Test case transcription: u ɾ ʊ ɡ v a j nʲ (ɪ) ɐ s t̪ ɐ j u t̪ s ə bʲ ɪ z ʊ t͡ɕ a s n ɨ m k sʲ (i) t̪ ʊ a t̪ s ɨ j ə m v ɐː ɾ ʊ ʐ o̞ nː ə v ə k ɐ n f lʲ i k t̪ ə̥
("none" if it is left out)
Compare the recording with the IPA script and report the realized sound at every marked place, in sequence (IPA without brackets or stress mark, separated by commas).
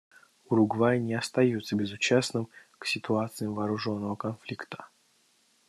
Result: ɪ, ɪ